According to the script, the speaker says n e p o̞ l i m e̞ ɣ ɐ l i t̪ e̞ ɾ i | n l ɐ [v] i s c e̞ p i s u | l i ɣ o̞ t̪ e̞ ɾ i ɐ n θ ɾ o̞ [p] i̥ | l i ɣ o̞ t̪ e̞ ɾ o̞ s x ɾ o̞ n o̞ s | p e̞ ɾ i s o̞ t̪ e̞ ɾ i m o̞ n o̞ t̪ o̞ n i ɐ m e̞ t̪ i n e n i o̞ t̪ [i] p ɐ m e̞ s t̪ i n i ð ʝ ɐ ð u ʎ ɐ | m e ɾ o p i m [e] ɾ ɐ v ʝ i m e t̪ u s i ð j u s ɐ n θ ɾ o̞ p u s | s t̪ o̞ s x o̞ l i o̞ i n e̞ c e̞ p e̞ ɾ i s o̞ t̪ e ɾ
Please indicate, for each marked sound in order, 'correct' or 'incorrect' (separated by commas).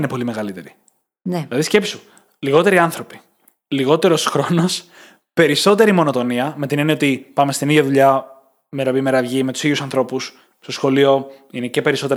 incorrect, correct, correct, correct